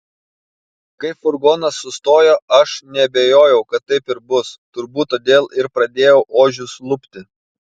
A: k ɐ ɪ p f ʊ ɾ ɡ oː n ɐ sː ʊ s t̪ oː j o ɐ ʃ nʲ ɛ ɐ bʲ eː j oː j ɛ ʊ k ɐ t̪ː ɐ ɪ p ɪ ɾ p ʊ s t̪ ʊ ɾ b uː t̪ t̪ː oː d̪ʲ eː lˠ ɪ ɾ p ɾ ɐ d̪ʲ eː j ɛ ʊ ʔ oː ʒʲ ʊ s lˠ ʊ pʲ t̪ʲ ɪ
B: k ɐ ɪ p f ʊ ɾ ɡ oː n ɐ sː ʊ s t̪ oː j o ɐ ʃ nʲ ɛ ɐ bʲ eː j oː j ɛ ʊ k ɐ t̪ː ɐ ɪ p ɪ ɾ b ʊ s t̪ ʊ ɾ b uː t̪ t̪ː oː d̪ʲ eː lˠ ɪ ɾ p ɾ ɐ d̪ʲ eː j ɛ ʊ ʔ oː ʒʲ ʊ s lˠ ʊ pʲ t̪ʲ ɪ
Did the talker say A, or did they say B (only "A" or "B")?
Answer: B